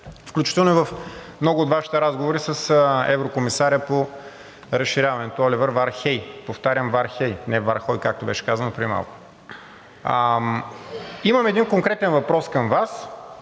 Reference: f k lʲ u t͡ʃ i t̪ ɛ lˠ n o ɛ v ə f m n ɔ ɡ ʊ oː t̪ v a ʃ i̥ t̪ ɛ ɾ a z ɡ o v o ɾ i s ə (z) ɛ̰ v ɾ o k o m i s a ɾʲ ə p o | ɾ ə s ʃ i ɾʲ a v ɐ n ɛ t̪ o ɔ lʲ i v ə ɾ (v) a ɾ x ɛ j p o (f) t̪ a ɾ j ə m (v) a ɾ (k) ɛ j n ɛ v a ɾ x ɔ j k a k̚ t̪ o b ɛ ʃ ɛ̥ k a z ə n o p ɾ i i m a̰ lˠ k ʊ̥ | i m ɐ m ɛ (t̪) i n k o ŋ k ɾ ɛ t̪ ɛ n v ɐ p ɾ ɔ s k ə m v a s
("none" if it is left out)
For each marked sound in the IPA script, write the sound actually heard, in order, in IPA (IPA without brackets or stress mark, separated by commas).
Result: s, v, f, v, x, d̪